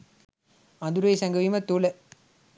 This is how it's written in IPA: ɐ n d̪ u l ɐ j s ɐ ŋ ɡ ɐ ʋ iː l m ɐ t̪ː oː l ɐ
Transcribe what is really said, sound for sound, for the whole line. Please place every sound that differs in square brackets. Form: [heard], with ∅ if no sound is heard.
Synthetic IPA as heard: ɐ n d̪ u [ɾ] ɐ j s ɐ ŋ ɡ ɐ ʋ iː [∅] m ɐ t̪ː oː l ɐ